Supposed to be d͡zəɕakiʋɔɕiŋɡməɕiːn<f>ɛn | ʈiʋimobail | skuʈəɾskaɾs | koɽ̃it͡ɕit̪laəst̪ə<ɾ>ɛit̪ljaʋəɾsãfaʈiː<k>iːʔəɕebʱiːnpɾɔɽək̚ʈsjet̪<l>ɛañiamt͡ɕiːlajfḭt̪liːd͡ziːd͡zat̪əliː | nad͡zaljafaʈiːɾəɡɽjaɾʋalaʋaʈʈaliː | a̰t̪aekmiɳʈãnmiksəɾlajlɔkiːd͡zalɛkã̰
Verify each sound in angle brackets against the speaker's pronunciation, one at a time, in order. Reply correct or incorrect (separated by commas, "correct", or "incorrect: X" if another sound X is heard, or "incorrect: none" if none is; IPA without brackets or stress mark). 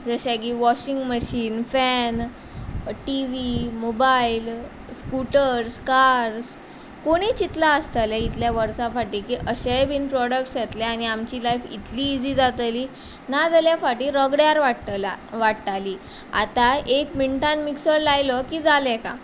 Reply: correct, incorrect: l, correct, correct